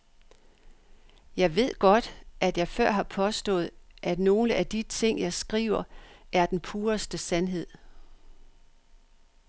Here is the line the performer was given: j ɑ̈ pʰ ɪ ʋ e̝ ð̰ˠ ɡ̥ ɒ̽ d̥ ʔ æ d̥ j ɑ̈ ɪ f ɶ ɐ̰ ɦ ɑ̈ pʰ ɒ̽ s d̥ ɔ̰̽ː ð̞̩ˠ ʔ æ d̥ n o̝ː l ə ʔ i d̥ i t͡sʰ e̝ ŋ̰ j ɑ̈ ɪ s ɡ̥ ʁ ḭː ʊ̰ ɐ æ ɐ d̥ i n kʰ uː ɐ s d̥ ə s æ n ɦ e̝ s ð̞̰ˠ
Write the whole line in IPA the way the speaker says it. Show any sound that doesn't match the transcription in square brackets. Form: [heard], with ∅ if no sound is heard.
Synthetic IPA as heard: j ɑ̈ [∅] ɪ ʋ e̝ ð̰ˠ ɡ̥ ɒ̽ d̥ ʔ æ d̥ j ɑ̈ ɪ f ɶ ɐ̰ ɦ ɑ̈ pʰ ɒ̽ s d̥ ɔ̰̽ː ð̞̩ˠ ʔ æ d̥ n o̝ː l ə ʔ [æ] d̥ i t͡sʰ e̝ ŋ̰ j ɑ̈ ɪ s ɡ̥ ʁ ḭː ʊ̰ ɐ æ ɐ d̥ [e] n [pʰ] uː ɐ s d̥ ə s æ n ɦ e̝ [∅] ð̞̰ˠ